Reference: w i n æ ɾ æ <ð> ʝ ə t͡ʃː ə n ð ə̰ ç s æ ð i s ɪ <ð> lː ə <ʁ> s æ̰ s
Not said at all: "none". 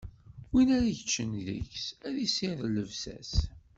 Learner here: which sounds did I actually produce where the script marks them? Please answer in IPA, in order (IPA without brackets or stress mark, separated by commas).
none, ð, v